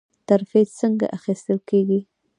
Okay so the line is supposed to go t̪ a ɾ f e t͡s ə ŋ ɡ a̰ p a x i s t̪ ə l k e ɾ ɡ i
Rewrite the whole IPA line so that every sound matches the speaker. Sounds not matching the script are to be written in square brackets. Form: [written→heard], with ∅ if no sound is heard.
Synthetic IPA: t̪ a ɾ f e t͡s ə ŋ ɡ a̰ [p→ʔ] a x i s t̪ ə l k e [ɾ→∅] ɡ i